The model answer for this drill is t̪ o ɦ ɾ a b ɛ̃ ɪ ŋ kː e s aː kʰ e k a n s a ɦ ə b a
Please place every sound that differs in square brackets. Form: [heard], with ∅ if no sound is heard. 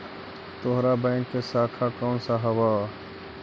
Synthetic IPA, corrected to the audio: t̪ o ɦ ɾ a b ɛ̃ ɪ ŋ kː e s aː kʰ [a] k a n s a ɦ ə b a